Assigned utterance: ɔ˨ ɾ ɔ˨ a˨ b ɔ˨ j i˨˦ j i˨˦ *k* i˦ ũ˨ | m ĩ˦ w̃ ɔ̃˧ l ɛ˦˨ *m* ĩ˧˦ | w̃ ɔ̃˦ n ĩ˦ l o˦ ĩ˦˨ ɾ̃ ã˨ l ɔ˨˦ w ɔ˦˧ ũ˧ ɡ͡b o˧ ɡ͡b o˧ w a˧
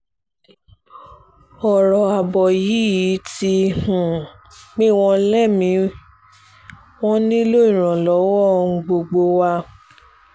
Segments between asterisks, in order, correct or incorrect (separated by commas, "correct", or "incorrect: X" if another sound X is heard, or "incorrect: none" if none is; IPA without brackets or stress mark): incorrect: t, correct